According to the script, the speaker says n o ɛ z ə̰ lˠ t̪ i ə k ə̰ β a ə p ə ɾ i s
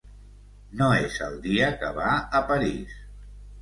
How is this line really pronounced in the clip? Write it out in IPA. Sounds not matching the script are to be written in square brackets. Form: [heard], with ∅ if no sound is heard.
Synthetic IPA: n o [e] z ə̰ lˠ [d̪] i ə k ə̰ β a ə p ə ɾ i s